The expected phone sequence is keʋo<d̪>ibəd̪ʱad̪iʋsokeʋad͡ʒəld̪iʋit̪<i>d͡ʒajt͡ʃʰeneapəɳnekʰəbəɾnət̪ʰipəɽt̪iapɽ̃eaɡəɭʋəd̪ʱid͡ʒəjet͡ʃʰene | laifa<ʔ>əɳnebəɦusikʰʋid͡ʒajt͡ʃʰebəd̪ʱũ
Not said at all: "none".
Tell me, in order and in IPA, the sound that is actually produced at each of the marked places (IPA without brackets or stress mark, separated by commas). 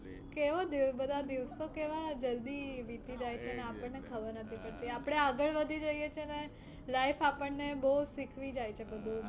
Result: d̪, i, p